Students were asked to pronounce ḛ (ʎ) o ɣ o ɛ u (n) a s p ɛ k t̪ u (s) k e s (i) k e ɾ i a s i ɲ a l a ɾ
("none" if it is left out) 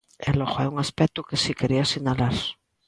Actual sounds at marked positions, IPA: l, ŋ, none, i

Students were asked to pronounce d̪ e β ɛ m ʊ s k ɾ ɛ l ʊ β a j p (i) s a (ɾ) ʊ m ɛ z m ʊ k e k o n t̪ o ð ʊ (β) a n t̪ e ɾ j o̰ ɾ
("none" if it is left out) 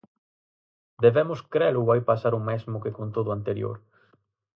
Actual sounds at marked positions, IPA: a, ɾ, none

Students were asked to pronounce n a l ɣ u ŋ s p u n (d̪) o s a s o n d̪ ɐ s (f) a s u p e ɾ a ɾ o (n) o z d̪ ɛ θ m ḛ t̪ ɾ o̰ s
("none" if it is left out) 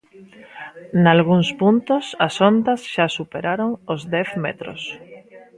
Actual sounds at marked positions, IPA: t̪, ʃ, ŋ

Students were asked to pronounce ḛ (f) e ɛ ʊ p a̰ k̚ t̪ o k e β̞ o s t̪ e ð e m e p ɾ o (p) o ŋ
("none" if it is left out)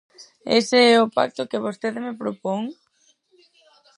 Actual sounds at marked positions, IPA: s, p

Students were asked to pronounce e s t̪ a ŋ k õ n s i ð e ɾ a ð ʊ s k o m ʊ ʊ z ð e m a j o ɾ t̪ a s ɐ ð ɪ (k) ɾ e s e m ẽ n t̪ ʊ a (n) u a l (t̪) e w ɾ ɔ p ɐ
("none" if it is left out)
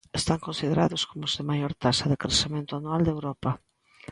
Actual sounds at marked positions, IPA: k, n, d̪

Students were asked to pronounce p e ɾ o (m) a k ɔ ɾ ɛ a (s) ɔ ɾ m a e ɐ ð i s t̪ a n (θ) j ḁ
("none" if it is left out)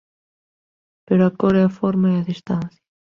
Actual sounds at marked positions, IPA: none, f, θ

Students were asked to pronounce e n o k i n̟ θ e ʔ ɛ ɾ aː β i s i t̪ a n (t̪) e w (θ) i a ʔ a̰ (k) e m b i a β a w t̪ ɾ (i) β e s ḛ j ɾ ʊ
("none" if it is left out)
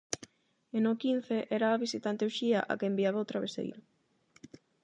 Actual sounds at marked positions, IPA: t̪, ʃ, k, a

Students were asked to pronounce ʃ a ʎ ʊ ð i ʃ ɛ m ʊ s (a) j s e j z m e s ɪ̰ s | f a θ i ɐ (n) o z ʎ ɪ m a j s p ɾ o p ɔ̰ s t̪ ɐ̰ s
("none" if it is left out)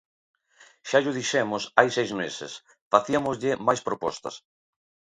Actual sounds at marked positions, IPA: a, m

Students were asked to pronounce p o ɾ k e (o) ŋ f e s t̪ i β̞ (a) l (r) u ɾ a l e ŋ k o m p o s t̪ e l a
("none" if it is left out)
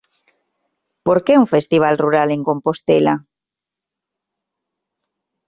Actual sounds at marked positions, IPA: u, a, r

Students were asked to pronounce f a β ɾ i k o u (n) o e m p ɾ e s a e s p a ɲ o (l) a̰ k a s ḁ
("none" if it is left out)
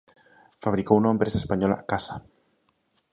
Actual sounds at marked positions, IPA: n, l

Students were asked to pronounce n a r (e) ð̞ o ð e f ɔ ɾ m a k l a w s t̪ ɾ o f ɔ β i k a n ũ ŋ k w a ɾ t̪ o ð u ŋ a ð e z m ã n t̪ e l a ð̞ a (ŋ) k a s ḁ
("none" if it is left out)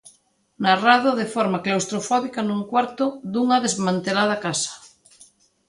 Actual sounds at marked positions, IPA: a, none

